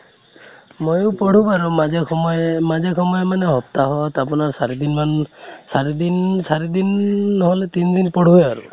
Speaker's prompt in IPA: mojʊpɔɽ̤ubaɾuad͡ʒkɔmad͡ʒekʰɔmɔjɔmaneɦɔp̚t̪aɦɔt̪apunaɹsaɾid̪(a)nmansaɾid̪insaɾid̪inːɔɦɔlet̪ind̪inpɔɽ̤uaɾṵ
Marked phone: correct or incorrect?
incorrect